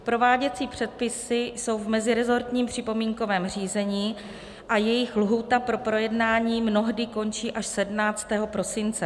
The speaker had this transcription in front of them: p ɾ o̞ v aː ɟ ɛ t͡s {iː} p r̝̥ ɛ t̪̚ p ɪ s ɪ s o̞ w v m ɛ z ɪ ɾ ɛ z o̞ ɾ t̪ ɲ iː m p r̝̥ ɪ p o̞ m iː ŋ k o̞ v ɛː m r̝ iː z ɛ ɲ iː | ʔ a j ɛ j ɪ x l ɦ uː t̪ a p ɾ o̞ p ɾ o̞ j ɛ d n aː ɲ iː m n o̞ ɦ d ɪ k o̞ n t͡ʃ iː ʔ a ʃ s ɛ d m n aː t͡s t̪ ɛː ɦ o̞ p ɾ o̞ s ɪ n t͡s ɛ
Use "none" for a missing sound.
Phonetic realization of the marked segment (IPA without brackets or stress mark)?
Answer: iː